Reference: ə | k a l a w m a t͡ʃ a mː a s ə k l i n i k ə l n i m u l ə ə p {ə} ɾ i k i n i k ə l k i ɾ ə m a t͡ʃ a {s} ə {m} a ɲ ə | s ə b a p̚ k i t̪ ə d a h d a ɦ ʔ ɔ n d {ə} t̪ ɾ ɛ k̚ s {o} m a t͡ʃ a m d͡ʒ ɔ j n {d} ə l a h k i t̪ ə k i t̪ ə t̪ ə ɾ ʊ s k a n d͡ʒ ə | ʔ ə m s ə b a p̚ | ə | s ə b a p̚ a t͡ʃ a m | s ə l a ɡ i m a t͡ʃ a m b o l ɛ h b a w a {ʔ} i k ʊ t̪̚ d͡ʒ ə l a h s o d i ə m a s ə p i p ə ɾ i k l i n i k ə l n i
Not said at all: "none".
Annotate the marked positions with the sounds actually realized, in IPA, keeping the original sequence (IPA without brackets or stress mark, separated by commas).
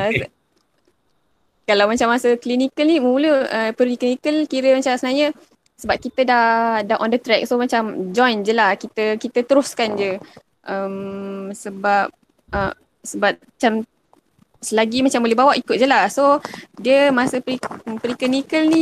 ə, s, n, ə, o, d͡ʒ, ʔ